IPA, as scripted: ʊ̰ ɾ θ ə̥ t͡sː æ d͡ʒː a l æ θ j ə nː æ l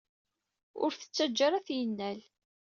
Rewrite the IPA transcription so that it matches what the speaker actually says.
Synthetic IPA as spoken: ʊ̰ ɾ θ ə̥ t͡sː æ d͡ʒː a ɾ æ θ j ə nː æ l

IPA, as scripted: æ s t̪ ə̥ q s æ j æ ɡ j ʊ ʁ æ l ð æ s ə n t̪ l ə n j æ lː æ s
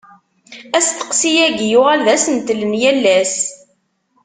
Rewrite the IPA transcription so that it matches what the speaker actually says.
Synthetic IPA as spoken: æ s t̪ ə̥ q s i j æ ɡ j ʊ ʁ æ l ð æ s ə n t̪ l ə n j æ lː æ s

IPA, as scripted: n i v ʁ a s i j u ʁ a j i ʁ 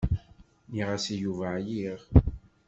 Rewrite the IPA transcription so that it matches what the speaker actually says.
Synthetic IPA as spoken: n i ʁ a s i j u v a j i ʁ

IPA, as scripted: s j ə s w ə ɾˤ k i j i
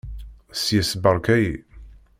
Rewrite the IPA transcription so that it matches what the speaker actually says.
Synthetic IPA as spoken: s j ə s b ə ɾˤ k æ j i

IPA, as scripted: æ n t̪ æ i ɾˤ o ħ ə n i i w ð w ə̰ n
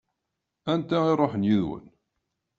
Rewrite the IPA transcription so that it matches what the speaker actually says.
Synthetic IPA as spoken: æ n t̪ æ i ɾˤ o ħ ə n j i ð w ə̰ n

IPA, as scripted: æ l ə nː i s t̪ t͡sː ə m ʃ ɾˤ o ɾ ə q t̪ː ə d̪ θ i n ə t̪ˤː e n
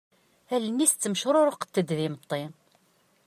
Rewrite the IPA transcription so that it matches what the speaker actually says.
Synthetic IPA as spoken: æ l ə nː i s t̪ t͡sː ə m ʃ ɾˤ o ɾ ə q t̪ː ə d̪ ð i m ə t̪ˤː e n

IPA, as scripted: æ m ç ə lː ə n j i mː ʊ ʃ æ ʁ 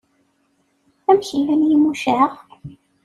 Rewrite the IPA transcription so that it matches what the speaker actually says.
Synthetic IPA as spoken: æ m ç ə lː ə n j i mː u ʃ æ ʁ

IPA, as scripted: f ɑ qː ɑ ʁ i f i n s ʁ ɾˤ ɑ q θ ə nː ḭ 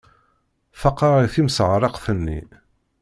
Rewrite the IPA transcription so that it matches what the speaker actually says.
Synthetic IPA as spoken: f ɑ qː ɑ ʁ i θ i m s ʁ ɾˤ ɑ q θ ə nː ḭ

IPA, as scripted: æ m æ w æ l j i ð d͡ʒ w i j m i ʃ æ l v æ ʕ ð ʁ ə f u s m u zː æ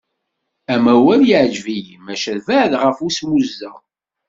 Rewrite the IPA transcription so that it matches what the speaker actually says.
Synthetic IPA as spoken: æ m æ w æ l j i ʕ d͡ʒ v i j m æ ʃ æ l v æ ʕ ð ʁ ə f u s m u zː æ

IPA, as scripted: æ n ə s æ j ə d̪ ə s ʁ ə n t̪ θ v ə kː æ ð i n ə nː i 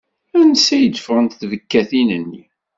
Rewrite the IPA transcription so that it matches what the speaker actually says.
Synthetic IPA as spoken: æ n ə s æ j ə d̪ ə f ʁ ə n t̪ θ v ə kː æ θ i n ə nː i

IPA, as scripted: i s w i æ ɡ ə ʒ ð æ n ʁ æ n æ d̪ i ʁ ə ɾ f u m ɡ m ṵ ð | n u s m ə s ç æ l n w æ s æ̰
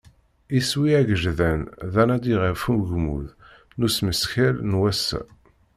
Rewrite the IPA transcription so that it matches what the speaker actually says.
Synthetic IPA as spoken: i s w i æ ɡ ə ʒ ð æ n ð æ n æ d̪ i ʁ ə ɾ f u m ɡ m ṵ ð | n u s m ə s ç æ l n w æ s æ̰

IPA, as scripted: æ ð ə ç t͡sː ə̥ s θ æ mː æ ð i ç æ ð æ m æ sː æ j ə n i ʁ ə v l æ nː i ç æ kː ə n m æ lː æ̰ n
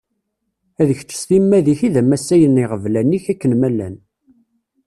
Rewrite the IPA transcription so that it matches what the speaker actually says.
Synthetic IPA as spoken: æ ð ə ç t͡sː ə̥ s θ i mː æ ð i ç i ð æ m æ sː æ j ə n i ʁ ə v l æ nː i ç æ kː ə n m æ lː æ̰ n

